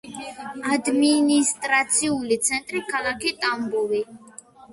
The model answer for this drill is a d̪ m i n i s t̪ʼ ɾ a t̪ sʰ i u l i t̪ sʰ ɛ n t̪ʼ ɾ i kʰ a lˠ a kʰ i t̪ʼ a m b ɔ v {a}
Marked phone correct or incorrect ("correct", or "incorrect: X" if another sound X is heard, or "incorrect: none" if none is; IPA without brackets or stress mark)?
incorrect: i